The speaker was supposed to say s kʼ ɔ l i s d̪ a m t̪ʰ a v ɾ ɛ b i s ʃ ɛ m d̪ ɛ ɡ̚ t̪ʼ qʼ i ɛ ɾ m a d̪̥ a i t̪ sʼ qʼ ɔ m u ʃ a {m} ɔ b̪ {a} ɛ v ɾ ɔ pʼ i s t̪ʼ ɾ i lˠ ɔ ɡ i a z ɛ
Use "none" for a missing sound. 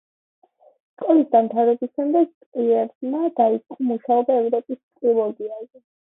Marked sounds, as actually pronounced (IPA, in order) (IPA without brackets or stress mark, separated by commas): none, a